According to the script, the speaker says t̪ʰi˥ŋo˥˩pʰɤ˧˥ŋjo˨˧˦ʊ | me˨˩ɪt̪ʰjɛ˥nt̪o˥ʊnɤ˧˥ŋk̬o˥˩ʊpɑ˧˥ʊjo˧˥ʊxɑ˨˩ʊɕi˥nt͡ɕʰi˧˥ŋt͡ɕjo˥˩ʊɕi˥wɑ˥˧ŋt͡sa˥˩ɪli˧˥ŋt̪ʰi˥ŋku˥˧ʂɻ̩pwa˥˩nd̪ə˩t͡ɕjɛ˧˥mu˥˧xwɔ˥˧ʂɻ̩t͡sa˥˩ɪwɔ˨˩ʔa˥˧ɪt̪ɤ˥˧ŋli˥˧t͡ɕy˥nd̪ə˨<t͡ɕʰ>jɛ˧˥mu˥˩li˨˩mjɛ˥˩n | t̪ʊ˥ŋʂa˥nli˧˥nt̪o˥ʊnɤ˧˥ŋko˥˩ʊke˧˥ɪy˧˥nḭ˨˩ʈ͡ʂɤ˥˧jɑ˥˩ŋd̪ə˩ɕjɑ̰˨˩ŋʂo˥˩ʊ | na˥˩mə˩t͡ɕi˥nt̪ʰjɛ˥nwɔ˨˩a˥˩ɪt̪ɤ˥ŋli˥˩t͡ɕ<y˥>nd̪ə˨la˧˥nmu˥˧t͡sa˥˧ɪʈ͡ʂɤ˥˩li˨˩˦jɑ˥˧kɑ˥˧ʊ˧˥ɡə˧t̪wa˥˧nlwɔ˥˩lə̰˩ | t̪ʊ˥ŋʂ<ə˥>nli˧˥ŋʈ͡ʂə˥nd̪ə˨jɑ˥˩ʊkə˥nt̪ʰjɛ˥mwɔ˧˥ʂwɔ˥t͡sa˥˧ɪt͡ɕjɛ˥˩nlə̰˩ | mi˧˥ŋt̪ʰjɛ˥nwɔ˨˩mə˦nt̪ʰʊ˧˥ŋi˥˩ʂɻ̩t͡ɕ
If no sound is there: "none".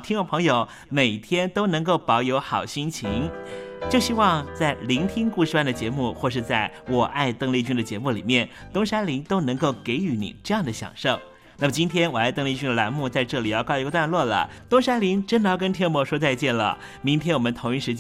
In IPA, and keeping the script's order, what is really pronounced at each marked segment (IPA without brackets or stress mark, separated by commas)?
t͡ɕ, y˥, a˥